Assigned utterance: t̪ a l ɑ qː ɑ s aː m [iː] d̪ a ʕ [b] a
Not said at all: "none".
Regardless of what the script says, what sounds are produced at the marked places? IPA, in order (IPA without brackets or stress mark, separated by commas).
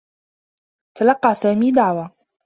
iː, w